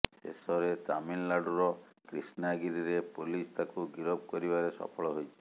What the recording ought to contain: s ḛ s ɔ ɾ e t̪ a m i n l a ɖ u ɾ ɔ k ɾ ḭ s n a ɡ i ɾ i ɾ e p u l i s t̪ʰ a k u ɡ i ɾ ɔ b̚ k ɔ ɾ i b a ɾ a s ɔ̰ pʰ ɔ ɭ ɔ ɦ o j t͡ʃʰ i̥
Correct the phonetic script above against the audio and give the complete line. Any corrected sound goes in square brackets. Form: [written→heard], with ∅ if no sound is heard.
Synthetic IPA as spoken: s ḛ s ɔ ɾ e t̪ a m i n l a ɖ u ɾ ɔ k ɾ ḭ s n a ɡ i ɾ i ɾ e p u l i s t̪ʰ a k u ɡ i ɾ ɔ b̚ k ɔ ɾ i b a ɾ [a→e] s ɔ̰ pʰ ɔ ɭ ɔ ɦ o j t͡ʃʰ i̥